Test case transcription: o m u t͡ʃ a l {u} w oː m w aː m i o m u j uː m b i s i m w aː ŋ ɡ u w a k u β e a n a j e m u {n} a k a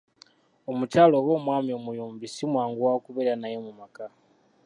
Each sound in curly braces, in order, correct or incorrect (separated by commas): incorrect, incorrect